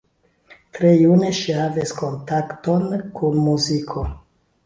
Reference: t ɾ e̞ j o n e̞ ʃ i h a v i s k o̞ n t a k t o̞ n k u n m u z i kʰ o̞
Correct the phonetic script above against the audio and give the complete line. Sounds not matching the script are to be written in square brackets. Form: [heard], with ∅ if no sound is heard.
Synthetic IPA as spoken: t ɾ e̞ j [u] n e̞ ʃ i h a v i s k o̞ n t a k t o̞ n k u n m u z i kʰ o̞

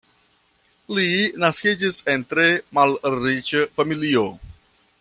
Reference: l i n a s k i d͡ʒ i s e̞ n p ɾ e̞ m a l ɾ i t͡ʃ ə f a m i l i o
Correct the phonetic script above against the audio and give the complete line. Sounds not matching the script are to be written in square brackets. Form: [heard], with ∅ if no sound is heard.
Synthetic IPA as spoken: l i n a s k i d͡ʒ i s e̞ n [t] ɾ e̞ m a l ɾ i t͡ʃ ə f a m i l i o

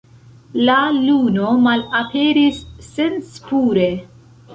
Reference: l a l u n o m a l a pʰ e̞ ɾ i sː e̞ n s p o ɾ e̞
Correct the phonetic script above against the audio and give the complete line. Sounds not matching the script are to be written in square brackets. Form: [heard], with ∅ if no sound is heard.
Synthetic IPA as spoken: l a l u n o m a l a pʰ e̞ ɾ i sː e̞ n s p [u] ɾ e̞

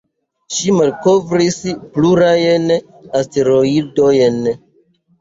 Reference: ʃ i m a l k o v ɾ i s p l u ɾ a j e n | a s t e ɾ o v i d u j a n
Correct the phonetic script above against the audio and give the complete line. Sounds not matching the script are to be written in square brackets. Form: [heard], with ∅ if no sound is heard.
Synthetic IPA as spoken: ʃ i m a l k o v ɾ i s p l u ɾ a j e n | a s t e ɾ o [∅] i d [o] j [e] n

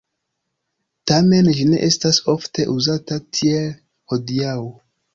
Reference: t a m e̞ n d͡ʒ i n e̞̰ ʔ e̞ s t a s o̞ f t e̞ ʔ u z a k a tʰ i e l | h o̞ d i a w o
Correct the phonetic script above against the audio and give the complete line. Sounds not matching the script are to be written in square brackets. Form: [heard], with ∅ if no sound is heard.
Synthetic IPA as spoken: t a m e̞ n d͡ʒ i n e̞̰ ʔ e̞ s t a s o̞ f t e̞ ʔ u z a [t] a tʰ i e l | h o̞ d i a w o

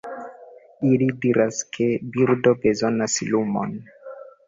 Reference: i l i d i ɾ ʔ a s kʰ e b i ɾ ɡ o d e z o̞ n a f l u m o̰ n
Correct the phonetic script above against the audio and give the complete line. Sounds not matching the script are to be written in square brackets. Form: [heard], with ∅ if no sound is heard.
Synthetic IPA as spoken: i l i d i ɾ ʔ a s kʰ e b i ɾ [d] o [b] e z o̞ n a [s] l u m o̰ n

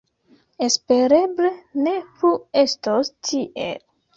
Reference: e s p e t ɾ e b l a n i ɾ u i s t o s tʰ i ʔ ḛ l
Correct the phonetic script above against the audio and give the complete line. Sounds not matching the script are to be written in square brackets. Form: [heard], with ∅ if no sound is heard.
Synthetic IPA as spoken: e s p e [∅] ɾ e b l [e] n [e] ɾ u [e] s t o s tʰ i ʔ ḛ l

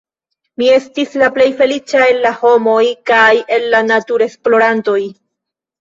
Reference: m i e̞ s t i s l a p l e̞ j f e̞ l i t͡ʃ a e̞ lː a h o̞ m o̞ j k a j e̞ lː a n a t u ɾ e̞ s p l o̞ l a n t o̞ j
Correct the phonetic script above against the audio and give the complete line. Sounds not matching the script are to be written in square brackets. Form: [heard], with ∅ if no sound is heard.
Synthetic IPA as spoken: m i e̞ s t i s l a p l e̞ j f e̞ l i t͡ʃ a e̞ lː a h o̞ m o̞ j k a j e̞ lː a n a t u ɾ e̞ s p l o̞ [ɾ] a n t o̞ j

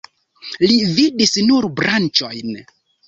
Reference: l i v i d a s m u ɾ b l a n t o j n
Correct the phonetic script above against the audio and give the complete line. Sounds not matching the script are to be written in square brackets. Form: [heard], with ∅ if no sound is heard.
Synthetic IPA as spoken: l i v i d [i] s [n] u ɾ b [ɾ] a n [t͡ʃ] o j n

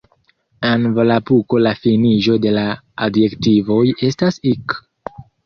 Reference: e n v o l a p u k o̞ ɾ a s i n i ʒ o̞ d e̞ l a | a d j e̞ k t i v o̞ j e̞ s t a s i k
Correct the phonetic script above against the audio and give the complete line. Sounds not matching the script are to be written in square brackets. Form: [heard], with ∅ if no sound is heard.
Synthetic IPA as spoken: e n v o l a p u k o̞ [l] a [f] i n i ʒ o̞ d e̞ l a | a d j e̞ k t i v o̞ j e̞ s t a s i k

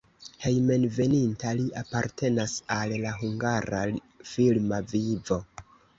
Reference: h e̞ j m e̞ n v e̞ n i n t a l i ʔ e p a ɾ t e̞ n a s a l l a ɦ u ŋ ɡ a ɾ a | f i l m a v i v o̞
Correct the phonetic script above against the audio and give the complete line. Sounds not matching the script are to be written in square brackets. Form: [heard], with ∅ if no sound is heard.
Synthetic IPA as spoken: h e̞ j m e̞ n v e̞ n i n t a l i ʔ [a] p a ɾ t e̞ n a s a l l a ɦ u ŋ ɡ a ɾ a | f i l m a v i v o̞

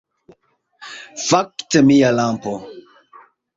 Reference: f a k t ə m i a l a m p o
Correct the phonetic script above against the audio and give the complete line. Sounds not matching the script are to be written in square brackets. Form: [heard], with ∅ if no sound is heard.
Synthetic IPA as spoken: f a k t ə m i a l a m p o

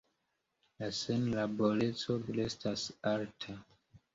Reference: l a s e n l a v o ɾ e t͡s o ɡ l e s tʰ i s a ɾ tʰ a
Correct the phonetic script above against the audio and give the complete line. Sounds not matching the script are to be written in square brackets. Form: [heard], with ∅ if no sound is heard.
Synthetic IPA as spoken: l a s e n l a [b] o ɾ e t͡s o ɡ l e s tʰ [a] s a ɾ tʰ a

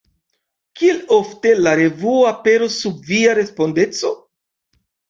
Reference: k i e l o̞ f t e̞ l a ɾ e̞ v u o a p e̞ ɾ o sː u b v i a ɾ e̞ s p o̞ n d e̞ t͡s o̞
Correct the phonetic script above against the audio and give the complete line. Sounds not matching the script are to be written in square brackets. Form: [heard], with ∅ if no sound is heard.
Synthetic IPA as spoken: k i e l o̞ f t e̞ l a ɾ e̞ v u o a p e̞ ɾ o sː u b v i a ɾ e̞ s p o̞ n d e̞ t͡s o̞

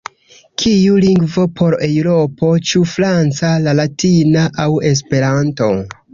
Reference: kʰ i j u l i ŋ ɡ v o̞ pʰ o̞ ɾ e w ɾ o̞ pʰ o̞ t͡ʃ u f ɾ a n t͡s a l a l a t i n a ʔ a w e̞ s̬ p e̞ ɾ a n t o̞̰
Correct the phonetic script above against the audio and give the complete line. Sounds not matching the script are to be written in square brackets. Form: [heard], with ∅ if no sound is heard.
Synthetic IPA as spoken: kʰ i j u l i ŋ ɡ v o̞ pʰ o̞ ɾ e w ɾ o̞ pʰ o̞ t͡ʃ u f ɾ a n t͡s a l a l a t i n a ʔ a w e̞ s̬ p e̞ ɾ a n t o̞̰

